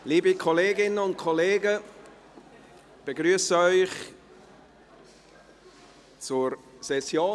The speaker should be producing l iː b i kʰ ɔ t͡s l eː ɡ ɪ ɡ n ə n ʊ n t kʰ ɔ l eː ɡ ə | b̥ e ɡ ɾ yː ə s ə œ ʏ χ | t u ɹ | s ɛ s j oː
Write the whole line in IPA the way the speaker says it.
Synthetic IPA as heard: l iː b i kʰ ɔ l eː ɡ ɪ n ə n ʊ n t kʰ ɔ l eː ɡ ə | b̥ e ɡ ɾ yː ə s ə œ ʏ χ | t͡s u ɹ | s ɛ s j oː